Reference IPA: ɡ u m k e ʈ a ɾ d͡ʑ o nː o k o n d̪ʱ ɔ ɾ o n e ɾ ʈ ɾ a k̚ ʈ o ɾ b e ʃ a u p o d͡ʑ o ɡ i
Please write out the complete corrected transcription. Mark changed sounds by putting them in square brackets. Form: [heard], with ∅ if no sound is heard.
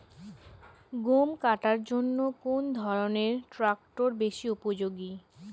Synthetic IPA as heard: ɡ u m k [a] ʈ a ɾ d͡ʑ o nː o k o n d̪ʱ ɔ ɾ o n e ɾ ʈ ɾ a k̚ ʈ o ɾ b e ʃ [i] u p o d͡ʑ o ɡ i

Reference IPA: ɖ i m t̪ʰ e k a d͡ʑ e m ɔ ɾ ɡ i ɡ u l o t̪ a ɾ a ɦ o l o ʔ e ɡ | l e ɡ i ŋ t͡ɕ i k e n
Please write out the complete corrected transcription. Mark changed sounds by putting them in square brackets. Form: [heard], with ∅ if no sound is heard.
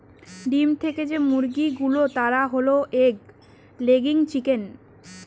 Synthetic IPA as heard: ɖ i m t̪ʰ e k [e] d͡ʑ e m [u] ɾ ɡ i ɡ u l o t̪ a ɾ a ɦ o l o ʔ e ɡ | l e ɡ i ŋ t͡ɕ i k e n

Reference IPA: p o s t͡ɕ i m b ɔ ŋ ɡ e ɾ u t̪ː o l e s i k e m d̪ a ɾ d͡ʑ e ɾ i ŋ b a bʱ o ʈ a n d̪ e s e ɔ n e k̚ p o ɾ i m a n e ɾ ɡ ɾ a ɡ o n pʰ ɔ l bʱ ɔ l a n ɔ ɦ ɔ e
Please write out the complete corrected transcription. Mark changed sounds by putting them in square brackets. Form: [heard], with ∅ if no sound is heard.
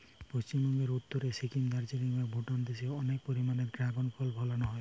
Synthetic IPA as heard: p o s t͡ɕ i m b ɔ ŋ ɡ e ɾ u t̪ː o [ɾ] e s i k [i] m d̪ a ɾ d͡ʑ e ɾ i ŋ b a bʱ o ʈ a n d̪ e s e ɔ n e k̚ p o ɾ i m a n e ɾ ɡ ɾ a ɡ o n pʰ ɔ l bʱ ɔ l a n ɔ ɦ ɔ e

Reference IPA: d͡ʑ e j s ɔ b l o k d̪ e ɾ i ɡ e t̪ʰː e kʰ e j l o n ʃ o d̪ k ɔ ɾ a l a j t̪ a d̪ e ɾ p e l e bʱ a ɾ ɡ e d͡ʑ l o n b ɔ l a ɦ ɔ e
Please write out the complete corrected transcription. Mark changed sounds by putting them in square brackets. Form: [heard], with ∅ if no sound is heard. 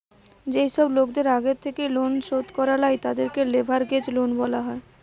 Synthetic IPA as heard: d͡ʑ e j [ʃ] ɔ b l o k d̪ e ɾ [a] ɡ e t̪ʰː e [k] e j l o n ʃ o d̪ k ɔ ɾ a l a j t̪ a d̪ e ɾ [k] e l e bʱ a ɾ ɡ e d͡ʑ l o n b ɔ l a ɦ ɔ e

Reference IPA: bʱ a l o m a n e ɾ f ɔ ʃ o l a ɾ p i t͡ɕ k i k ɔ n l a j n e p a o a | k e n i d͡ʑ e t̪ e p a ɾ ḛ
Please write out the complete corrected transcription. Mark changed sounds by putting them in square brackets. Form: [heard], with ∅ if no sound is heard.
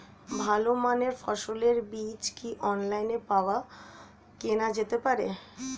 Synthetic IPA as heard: bʱ a l o m a n e ɾ f ɔ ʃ o l [e] ɾ [b] i t͡ɕ k i [ʔ] ɔ n l a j n e p a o a | k e n [a] d͡ʑ e t̪ e p a ɾ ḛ

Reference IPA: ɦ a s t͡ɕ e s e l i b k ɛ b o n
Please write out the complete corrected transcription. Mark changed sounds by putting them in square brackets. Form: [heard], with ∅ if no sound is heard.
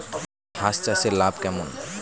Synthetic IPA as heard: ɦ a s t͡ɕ [a] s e l [a] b k ɛ [m] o n

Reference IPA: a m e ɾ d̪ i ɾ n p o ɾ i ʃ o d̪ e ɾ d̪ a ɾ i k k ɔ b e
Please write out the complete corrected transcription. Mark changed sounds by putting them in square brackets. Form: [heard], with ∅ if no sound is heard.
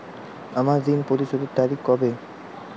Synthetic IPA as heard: a m [a] ɾ d̪ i [∅] n p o ɾ i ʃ o d̪ e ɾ [t̪] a ɾ i k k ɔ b e

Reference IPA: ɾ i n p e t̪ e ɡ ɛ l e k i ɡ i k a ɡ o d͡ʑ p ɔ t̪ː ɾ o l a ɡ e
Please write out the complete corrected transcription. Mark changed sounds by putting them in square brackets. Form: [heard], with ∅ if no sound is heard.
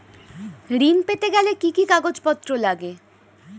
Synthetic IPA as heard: ɾ i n p e t̪ e ɡ ɛ l e k i [k] i k a ɡ o d͡ʑ p ɔ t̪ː ɾ o l a ɡ e

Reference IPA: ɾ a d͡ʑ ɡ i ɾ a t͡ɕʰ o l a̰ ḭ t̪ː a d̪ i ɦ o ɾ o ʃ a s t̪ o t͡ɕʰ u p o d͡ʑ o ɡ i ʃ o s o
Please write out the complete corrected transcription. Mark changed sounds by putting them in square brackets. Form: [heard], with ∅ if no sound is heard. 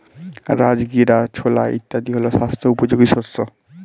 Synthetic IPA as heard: ɾ a d͡ʑ ɡ i ɾ a t͡ɕʰ o l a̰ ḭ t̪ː a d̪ i ɦ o [l] o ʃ a s [t̪ʰ] o [∅] u p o d͡ʑ o ɡ i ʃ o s o

